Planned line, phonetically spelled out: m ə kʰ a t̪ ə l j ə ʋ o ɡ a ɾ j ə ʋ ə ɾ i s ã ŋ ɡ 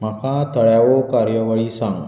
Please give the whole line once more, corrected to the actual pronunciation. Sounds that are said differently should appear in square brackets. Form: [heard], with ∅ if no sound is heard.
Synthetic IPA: m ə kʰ a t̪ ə [ɭ] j [a] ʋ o [k] a ɾ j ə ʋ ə [ɭ] i s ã ŋ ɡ